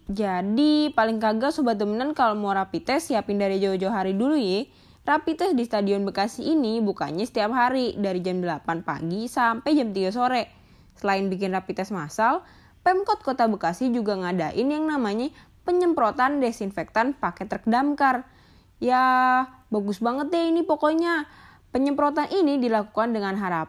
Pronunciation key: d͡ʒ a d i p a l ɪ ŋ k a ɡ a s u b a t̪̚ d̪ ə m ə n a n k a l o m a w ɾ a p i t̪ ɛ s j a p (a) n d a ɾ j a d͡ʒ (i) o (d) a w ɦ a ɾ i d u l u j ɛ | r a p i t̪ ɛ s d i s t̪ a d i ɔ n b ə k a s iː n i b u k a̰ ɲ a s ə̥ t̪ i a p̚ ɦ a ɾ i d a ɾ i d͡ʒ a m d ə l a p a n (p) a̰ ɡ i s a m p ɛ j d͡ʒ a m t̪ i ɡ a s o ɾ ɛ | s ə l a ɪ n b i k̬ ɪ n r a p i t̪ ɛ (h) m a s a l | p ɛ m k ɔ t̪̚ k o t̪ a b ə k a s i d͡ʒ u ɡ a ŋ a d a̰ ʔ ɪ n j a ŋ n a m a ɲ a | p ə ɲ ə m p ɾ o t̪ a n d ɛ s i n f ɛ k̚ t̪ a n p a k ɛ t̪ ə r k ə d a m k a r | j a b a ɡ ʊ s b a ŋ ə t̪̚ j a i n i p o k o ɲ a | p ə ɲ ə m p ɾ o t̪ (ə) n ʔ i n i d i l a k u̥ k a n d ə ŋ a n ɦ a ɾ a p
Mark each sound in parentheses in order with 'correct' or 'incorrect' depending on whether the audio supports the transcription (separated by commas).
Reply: incorrect, incorrect, incorrect, correct, incorrect, incorrect